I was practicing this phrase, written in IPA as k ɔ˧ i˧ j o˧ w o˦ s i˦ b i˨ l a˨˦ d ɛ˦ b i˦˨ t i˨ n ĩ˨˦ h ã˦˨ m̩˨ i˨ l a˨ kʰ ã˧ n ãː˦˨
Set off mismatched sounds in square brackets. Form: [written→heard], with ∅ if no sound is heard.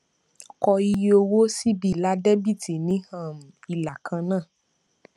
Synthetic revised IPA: k ɔ˧ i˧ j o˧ w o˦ s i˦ b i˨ l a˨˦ d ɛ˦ b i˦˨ t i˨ n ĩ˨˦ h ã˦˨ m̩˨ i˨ l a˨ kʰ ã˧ n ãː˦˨